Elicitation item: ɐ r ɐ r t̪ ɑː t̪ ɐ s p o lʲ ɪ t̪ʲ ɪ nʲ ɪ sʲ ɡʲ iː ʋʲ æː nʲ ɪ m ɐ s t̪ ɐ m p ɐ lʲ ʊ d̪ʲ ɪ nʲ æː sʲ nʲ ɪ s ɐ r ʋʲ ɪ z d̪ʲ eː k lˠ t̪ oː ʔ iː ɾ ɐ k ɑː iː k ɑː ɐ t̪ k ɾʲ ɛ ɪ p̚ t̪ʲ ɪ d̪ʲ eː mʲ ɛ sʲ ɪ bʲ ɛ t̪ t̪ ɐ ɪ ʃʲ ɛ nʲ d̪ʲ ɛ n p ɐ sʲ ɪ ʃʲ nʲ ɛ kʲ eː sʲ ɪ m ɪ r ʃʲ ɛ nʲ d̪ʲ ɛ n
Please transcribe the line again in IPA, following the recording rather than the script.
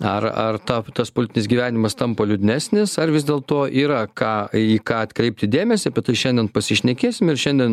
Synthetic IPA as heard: ɐ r ɐ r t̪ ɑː t̪ ɐ s p o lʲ ɪ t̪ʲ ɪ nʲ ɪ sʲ ɡʲ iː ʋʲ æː nʲ ɪ m ɐ s t̪ ɐ m p ɐ lʲ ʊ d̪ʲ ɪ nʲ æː sʲ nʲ ɪ s ɐ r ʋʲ ɪ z d̪ʲ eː lˠ t̪ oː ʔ iː ɾ ɐ k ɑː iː k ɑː ɐ t̪ k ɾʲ ɛ ɪ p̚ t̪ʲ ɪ d̪ʲ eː mʲ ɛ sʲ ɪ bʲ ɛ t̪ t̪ ɐ ɪ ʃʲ ɛ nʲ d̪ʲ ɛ n p ɐ sʲ ɪ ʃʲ nʲ ɛ kʲ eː sʲ ɪ m ɪ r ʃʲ ɛ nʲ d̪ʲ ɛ n